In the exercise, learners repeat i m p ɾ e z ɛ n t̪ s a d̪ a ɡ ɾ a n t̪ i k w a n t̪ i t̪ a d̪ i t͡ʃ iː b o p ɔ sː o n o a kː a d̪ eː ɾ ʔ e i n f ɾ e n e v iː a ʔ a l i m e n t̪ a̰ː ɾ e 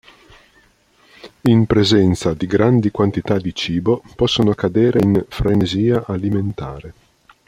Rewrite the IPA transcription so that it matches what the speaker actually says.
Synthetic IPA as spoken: i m p ɾ e z ɛ n t̪ s a d̪ i ɡ ɾ a n d̪ i k w a n t̪ i t̪ a d̪ i t͡ʃ iː b o p ɔ sː o n o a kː a d̪ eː ɾ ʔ e i n f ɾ e n e z iː a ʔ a l i m e n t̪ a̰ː ɾ e